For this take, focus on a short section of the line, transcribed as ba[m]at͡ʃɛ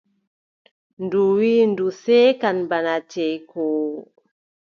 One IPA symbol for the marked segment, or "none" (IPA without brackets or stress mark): n